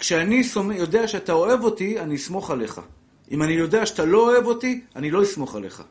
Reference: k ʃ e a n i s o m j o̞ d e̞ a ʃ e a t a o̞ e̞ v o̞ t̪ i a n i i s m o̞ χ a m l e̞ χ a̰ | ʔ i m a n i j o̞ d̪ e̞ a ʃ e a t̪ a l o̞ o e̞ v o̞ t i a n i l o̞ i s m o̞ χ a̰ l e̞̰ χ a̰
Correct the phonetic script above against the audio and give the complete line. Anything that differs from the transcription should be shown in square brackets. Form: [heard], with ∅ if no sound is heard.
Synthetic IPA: k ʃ e a n i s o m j o̞ d e̞ a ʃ e a t a o̞ e̞ v o̞ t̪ i a n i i s m o̞ χ a [∅] l e̞ χ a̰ | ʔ i m a n i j o̞ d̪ e̞ a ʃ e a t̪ a l o̞ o e̞ v o̞ t i a n i l o̞ i s m o̞ χ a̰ l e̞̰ χ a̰